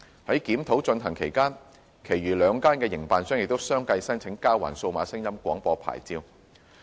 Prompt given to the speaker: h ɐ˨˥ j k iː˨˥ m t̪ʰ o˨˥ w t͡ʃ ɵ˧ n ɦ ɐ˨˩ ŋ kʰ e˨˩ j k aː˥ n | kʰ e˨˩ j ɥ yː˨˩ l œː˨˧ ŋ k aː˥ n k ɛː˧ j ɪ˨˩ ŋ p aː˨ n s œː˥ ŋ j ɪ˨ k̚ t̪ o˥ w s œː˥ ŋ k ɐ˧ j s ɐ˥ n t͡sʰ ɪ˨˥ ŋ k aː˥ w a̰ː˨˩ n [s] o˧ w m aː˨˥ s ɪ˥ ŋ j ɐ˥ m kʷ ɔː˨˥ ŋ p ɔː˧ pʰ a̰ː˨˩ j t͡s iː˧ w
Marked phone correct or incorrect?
correct